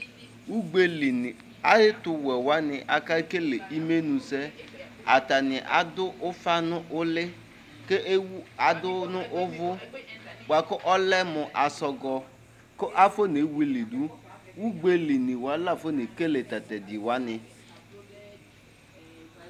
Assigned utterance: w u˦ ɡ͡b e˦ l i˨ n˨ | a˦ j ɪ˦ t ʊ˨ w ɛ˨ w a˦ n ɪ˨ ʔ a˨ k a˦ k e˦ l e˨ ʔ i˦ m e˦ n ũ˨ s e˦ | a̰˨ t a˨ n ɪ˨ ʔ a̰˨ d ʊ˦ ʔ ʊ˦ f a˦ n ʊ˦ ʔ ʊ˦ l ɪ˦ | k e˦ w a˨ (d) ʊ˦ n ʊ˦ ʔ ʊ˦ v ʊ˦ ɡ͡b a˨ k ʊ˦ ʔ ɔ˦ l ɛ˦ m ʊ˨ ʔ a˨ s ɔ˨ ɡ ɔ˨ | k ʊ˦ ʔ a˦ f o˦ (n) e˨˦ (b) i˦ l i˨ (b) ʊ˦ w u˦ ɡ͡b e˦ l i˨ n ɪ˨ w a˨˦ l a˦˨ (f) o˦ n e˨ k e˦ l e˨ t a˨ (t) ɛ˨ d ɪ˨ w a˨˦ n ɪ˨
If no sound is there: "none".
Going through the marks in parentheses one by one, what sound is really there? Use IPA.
d, n, w, d, f, t

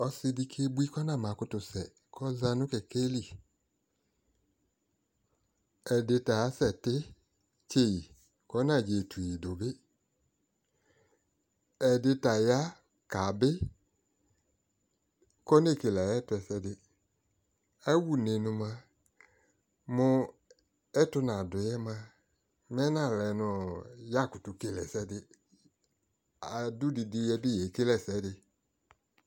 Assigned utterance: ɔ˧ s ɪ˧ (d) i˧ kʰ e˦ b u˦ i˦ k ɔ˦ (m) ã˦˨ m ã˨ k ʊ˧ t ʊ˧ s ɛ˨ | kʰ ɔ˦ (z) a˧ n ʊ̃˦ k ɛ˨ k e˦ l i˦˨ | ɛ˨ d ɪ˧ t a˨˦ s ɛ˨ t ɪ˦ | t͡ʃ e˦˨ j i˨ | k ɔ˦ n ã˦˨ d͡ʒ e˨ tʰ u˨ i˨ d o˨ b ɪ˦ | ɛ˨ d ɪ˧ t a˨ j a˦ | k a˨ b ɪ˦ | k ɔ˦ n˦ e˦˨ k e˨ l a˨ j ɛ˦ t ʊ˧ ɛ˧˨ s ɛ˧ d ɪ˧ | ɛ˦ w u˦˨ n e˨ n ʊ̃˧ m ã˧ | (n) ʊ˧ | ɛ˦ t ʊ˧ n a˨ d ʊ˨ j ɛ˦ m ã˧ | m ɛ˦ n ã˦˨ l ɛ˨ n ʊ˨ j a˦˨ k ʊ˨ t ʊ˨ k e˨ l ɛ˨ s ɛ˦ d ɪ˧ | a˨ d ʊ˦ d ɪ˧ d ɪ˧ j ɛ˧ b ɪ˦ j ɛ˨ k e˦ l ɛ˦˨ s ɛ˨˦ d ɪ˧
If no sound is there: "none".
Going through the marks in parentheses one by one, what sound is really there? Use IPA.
d, n, z, m

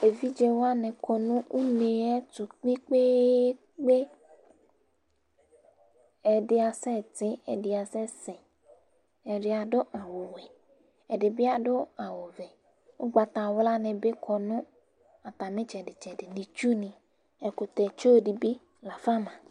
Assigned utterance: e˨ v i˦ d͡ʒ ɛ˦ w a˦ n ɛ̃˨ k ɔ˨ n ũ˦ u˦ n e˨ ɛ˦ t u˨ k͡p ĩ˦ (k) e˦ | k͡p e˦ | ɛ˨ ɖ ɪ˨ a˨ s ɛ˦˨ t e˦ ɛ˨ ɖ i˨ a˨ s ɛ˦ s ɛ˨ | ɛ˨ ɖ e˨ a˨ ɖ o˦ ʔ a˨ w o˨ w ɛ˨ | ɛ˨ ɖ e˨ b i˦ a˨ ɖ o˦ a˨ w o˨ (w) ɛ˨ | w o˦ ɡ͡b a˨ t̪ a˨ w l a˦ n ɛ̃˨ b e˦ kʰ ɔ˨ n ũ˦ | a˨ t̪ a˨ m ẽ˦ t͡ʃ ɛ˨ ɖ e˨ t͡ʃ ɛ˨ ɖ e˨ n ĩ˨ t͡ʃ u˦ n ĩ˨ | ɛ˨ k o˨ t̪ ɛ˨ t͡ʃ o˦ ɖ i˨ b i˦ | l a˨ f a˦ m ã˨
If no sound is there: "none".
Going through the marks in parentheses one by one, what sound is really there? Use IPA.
k͡p, v

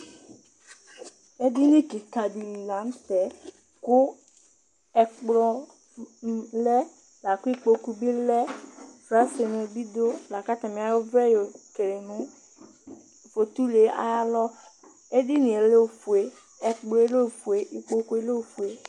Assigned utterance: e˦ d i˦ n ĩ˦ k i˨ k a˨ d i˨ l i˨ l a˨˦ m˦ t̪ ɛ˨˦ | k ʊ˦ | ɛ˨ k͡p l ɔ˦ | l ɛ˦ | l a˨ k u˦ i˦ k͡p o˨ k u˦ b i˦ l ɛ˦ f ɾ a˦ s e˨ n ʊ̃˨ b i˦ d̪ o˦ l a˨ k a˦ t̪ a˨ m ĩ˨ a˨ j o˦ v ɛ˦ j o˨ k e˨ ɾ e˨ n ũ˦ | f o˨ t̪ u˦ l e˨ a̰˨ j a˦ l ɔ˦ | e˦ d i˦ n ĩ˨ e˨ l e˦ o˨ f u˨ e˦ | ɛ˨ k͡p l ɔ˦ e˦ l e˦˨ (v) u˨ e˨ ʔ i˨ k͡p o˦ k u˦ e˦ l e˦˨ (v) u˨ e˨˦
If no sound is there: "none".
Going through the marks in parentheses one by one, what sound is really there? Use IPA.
f, f

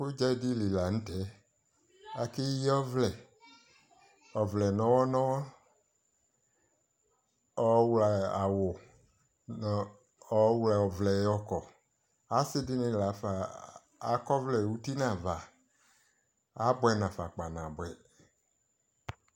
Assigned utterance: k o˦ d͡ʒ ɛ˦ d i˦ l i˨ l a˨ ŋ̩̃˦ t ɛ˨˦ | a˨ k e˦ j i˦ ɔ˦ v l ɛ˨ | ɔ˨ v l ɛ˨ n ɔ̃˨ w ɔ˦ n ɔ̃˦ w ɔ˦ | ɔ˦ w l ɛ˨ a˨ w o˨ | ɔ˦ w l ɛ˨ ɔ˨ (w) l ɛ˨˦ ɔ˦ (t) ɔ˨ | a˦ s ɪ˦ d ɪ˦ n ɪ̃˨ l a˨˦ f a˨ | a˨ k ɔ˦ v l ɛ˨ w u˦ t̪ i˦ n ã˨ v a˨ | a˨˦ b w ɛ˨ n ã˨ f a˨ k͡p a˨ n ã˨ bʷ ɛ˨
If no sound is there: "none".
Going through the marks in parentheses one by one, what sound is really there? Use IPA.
v, k

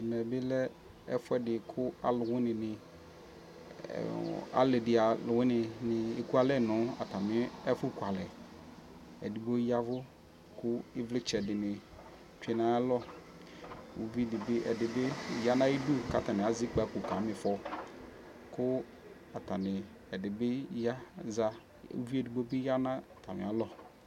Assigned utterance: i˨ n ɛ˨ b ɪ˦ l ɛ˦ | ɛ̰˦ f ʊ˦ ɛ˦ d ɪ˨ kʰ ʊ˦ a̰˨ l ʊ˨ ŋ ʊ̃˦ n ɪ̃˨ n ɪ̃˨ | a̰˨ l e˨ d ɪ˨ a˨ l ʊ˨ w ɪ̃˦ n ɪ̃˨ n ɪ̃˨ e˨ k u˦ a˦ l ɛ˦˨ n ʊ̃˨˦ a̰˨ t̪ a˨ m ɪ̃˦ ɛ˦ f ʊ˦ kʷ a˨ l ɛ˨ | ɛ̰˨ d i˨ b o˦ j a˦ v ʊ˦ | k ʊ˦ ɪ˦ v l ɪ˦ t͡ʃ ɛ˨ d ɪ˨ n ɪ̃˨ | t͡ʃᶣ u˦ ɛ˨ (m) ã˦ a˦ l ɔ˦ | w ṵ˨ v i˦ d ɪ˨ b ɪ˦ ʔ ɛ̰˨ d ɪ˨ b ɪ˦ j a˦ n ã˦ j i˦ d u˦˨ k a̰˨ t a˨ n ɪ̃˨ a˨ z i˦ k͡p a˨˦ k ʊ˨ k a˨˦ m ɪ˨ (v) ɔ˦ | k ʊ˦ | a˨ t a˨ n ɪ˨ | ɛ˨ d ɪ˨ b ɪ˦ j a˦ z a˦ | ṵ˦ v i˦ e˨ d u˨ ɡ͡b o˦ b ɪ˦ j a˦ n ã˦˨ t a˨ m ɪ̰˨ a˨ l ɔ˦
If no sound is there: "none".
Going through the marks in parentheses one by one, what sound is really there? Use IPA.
n, f

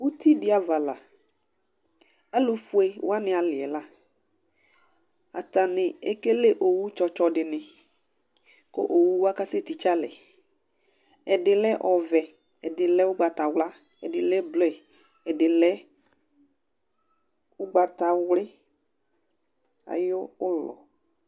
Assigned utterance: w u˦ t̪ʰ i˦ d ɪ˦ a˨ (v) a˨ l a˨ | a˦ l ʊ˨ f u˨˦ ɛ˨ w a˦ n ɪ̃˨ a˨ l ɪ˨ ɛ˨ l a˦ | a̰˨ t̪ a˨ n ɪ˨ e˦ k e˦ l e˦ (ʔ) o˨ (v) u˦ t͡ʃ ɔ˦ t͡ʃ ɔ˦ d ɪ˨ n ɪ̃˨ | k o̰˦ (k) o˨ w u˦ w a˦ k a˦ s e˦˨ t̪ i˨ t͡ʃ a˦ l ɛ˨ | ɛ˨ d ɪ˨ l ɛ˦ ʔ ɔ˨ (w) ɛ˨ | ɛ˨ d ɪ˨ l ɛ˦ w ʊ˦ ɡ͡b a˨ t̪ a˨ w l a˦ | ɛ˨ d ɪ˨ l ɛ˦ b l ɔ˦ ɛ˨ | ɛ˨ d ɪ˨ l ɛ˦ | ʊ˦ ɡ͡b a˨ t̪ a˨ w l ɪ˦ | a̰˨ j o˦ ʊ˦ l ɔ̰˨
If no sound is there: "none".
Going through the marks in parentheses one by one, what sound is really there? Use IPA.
v, ʔ, w, ʔ, v

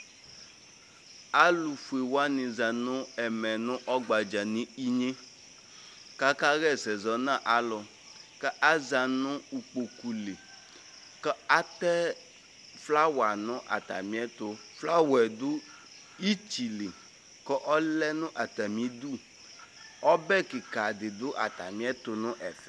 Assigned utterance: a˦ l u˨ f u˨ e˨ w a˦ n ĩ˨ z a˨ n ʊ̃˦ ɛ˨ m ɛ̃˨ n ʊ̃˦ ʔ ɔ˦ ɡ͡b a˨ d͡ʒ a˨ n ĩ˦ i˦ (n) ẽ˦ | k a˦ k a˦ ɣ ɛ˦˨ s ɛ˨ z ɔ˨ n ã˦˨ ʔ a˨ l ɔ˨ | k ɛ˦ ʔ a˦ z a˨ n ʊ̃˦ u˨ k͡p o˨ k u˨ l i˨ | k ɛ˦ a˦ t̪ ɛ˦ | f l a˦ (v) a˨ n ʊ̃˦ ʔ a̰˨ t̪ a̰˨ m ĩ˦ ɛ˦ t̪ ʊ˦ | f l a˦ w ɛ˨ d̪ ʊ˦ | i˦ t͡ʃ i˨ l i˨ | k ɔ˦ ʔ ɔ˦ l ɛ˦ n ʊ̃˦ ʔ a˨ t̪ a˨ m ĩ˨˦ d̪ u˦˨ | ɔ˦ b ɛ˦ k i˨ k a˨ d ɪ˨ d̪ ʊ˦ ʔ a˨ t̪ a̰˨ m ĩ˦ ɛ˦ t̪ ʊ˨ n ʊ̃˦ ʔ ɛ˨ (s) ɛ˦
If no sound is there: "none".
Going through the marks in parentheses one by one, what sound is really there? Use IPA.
ɲ, w, f

